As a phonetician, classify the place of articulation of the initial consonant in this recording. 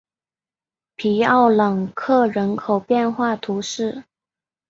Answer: labial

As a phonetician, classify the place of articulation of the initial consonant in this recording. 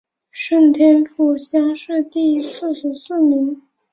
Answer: retroflex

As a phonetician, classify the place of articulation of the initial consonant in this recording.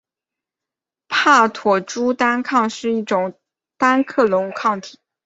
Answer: labial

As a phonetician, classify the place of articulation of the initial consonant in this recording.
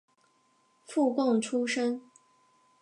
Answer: labial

